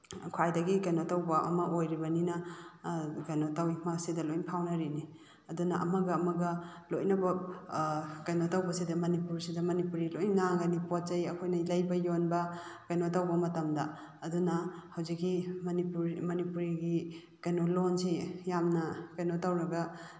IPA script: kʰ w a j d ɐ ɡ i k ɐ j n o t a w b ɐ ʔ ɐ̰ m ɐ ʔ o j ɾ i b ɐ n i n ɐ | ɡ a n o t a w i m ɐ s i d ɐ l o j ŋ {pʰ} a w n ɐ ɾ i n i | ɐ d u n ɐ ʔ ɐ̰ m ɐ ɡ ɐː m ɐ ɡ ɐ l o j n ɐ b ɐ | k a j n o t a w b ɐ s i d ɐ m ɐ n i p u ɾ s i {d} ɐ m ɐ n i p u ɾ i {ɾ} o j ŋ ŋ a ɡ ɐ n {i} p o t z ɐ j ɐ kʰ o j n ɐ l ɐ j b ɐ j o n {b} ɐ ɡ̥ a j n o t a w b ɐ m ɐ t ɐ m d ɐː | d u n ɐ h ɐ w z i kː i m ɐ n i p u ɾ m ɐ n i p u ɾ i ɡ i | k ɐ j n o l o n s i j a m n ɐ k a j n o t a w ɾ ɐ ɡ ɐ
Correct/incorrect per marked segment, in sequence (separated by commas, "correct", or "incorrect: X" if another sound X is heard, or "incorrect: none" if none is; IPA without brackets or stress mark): correct, correct, incorrect: l, correct, correct